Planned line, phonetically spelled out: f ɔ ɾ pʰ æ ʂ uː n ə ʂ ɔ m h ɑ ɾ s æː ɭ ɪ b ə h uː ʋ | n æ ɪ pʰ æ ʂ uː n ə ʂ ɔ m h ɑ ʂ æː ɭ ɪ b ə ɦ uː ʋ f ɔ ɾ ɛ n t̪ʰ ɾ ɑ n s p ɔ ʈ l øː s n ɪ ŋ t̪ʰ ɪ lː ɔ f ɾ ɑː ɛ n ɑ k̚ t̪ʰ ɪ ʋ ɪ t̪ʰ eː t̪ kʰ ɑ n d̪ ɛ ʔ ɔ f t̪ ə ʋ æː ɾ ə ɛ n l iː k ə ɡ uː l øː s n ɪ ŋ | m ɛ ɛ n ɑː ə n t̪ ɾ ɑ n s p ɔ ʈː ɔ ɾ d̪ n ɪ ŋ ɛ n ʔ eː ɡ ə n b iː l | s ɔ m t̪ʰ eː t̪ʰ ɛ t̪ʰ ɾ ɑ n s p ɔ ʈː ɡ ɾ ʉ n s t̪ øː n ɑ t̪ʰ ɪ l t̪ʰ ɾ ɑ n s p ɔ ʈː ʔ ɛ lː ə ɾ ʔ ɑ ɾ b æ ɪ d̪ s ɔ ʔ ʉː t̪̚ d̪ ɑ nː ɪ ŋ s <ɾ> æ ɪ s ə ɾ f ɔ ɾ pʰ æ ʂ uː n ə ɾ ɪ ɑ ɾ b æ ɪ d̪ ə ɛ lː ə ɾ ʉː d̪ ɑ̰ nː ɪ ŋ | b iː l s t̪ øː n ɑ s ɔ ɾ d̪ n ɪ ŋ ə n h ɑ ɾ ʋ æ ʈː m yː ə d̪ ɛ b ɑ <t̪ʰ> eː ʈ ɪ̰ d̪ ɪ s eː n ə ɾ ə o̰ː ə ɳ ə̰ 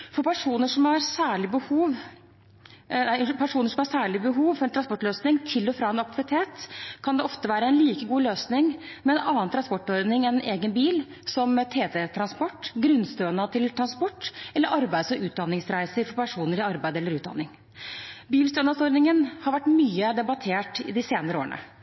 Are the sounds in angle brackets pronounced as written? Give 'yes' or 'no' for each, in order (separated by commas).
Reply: yes, yes